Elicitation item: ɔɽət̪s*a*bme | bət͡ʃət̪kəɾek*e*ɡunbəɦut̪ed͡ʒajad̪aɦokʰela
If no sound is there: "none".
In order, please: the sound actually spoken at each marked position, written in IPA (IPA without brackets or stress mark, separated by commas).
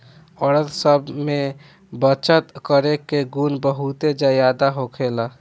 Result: ə, e